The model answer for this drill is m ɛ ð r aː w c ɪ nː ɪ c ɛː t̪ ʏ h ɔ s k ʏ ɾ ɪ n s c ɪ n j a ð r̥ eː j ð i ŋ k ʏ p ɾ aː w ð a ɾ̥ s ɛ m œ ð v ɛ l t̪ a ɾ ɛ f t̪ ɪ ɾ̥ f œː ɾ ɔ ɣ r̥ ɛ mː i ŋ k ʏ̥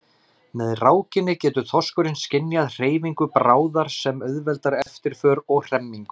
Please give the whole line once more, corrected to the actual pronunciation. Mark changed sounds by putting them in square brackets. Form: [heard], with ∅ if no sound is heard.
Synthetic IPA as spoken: m ɛ ð r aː w c ɪ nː ɪ c ɛː t̪ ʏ [θ] ɔ s k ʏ ɾ ɪ n s c ɪ n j a ð r̥ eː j [v] i ŋ k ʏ p ɾ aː w ð a ɾ̥ s ɛ m œ ð v ɛ l t̪ a ɾ ɛ f t̪ ɪ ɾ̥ f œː ɾ ɔ ɣ r̥ ɛ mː i ŋ k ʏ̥